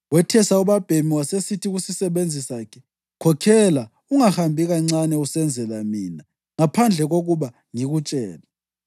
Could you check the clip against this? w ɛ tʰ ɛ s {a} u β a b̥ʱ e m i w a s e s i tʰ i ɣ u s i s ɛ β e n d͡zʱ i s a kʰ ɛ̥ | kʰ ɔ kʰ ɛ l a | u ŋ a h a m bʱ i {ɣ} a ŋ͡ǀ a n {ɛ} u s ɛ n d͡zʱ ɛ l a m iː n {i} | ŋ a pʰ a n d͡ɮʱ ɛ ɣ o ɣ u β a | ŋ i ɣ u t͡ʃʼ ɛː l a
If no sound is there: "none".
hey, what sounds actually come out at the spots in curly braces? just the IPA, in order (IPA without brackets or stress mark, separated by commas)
a, ɣ, ɛ, a